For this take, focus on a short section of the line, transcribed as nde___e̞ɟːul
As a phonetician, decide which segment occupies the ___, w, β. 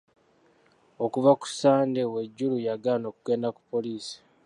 w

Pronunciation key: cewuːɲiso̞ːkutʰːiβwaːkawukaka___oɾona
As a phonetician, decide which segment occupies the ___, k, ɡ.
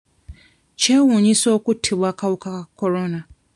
k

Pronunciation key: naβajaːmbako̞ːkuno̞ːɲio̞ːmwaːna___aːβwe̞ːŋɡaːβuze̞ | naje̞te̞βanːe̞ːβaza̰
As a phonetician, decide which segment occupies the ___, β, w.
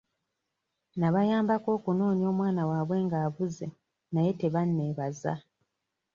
w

